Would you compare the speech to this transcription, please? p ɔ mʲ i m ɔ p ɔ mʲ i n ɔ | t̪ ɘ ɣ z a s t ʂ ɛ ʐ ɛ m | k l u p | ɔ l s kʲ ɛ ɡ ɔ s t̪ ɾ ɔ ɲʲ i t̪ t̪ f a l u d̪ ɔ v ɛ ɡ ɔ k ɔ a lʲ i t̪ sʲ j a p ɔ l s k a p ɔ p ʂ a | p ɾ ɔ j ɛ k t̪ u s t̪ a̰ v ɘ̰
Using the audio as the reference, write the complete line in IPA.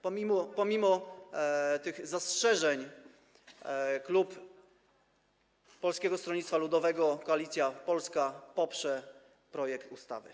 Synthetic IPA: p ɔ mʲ i m ɔ p ɔ mʲ i m ɔ | t̪ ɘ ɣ z a s t ʂ ɛ ʐ ɛ ɲ | k l u p | ɔ l s kʲ ɛ ɡ ɔ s t̪ ɾ ɔ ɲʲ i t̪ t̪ f a l u d̪ ɔ v ɛ ɡ ɔ k ɔ a lʲ i t̪ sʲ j a p ɔ l s k a p ɔ p ʂ ɛ | p ɾ ɔ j ɛ k t̪ u s t̪ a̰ v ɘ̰